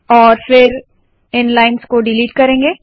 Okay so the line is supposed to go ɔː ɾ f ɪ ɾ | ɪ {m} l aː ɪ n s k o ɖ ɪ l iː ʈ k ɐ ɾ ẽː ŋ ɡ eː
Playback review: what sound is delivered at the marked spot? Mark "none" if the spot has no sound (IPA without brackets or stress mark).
n